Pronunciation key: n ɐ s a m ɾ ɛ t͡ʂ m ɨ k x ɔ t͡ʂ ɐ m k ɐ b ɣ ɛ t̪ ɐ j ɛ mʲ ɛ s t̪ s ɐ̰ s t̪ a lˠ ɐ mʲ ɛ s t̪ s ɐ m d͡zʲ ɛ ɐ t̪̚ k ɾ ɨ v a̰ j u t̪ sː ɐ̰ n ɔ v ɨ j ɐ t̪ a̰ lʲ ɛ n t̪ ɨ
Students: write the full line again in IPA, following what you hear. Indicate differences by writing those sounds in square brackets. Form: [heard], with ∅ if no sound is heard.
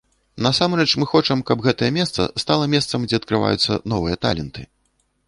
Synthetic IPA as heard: n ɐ s a m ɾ ɛ t͡ʂ m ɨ [∅] x ɔ t͡ʂ ɐ m k ɐ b ɣ ɛ t̪ ɐ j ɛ mʲ ɛ s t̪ s ɐ̰ s t̪ a lˠ ɐ mʲ ɛ s t̪ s ɐ m d͡zʲ ɛ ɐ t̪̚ k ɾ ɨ v a̰ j u t̪ sː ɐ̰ n ɔ v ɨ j ɐ t̪ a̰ lʲ ɛ n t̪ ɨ